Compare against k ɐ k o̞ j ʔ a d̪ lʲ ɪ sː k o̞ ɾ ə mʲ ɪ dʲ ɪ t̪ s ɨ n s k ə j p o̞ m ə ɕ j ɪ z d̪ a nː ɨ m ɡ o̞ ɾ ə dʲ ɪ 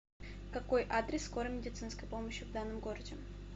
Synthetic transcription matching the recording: k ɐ k o̞ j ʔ a d̪ ɾʲ ɪ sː k o̞ ɾ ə mʲ ɪ dʲ ɪ t̪ s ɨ n s k ə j p o̞ m ə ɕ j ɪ v d̪ a nː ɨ m ɡ o̞ ɾ ə dʲ ɪ